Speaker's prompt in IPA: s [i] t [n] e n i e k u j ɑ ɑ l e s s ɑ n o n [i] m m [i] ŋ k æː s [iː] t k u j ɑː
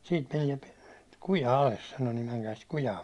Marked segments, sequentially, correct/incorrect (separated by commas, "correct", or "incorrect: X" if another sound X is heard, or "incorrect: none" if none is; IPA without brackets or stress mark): incorrect: iː, incorrect: m, correct, incorrect: æ, incorrect: i